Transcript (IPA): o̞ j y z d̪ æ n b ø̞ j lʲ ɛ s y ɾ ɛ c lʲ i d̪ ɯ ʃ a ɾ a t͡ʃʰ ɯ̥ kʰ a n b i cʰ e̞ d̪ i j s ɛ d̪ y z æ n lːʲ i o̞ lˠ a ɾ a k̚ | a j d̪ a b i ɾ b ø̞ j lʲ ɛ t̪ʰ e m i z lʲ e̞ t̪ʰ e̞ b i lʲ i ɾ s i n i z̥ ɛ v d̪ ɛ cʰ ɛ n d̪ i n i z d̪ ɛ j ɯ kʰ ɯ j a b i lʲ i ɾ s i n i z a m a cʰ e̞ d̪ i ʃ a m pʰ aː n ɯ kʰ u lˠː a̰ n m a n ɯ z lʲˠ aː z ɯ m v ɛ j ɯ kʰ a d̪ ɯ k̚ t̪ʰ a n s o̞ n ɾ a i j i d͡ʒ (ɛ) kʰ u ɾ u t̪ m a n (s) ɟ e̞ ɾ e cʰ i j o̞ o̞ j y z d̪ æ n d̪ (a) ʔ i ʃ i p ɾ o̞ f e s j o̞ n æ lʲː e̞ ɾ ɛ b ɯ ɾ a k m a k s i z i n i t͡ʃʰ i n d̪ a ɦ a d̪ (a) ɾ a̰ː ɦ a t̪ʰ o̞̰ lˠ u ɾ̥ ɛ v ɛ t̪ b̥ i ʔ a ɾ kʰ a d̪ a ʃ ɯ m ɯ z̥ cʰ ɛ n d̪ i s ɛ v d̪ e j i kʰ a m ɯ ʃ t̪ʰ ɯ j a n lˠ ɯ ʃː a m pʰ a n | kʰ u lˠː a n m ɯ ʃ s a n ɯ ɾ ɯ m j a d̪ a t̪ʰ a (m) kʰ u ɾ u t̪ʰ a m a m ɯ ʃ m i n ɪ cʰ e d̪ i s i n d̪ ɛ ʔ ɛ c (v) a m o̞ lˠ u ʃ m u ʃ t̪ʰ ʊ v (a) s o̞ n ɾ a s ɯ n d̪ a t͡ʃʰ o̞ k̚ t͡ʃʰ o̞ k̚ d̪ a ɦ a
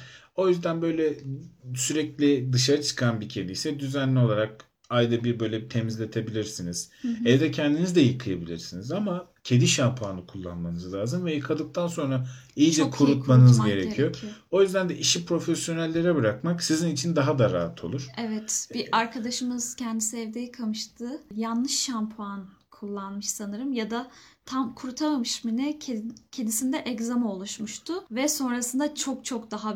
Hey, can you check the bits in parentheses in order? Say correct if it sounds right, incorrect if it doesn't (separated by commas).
correct, incorrect, incorrect, correct, correct, incorrect, incorrect